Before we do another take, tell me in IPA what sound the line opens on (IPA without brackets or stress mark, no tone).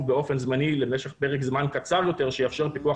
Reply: b